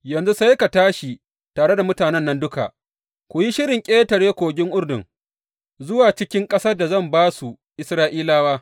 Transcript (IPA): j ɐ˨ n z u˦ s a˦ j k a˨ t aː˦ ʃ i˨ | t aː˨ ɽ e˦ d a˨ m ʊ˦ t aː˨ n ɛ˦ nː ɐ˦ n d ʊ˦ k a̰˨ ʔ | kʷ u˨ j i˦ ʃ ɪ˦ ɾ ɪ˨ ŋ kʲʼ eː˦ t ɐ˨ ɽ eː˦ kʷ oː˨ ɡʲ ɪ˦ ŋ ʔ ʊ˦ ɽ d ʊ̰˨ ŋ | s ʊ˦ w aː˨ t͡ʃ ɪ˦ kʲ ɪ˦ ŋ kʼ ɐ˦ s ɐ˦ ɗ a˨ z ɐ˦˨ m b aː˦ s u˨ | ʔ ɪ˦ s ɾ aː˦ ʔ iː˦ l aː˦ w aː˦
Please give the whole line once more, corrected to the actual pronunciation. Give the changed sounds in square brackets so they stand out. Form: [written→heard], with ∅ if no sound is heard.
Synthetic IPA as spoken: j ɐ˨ n z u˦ s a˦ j k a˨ t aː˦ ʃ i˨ | t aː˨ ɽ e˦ d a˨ m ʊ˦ t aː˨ n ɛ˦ nː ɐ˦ n d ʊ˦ k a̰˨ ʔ | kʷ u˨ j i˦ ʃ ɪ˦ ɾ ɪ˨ ŋ kʲʼ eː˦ t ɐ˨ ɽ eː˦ kʷ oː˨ ɡʲ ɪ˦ ŋ ʔ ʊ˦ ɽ d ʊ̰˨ ŋ | [s→z] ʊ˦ w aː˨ t͡ʃ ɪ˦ kʲ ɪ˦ ŋ kʼ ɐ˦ s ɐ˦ [ɗ→d] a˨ z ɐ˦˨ m b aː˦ s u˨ | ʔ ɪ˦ s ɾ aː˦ ʔ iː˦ l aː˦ w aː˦